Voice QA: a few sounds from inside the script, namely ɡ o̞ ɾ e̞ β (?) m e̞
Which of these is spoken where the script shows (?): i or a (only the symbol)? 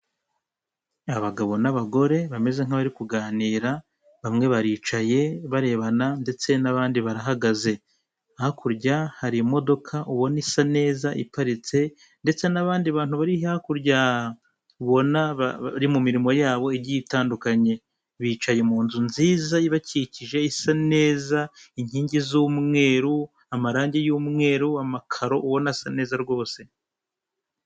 a